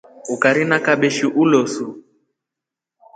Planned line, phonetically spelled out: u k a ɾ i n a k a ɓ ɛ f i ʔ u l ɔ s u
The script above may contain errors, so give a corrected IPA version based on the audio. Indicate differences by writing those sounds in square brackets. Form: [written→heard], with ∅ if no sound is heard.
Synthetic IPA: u k a ɾ i n a k a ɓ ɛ [f→ʃ] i ʔ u l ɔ s u